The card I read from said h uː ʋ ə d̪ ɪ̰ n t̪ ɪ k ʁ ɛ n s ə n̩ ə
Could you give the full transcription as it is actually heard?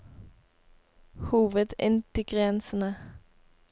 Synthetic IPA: h uː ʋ ə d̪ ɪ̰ n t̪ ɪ ɡ ʁ ɛ n s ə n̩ ə